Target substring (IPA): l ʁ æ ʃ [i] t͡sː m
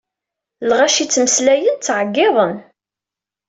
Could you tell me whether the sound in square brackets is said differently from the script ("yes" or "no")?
no